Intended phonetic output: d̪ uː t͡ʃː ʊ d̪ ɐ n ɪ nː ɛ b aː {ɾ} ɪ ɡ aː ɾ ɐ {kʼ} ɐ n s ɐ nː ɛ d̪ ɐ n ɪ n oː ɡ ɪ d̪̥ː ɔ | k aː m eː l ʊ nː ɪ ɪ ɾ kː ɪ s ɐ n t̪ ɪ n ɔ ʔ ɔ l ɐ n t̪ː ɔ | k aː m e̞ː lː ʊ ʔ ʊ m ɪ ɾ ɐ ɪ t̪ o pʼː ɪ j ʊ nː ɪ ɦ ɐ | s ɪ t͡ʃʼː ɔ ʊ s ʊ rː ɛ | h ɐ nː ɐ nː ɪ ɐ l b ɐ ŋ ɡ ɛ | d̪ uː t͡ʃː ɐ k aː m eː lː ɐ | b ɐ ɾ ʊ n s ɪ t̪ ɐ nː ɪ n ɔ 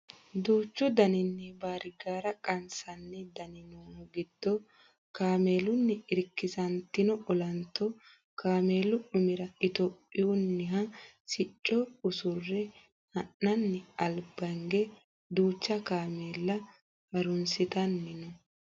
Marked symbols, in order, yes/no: yes, yes

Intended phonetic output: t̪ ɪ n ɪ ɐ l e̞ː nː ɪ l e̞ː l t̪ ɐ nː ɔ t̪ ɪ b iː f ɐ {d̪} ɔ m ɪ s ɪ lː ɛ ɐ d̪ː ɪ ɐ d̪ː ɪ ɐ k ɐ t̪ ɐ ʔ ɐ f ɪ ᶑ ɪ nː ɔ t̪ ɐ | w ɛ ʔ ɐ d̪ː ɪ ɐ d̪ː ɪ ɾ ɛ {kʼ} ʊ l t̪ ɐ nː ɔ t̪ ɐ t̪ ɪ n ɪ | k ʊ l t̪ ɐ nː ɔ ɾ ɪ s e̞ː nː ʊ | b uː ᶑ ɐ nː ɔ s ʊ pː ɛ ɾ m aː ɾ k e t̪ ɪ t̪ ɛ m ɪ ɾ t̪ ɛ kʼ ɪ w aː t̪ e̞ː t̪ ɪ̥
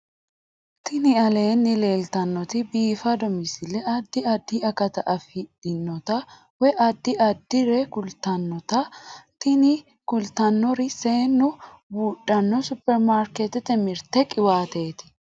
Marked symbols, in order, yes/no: yes, no

